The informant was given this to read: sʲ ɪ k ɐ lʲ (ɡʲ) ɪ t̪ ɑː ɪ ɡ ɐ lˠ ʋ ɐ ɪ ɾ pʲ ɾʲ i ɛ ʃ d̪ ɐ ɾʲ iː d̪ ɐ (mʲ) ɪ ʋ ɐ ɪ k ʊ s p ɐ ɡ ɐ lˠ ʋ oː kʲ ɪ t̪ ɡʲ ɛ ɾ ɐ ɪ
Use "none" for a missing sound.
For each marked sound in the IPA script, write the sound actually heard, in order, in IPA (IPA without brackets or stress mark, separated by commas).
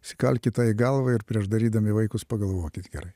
kʲ, mʲ